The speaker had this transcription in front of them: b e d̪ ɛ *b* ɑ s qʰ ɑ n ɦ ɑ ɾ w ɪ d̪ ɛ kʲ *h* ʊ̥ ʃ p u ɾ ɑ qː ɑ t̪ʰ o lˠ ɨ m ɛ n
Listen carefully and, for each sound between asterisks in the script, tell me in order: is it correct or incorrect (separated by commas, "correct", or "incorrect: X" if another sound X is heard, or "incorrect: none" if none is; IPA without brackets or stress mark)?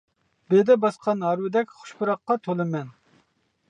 correct, incorrect: χ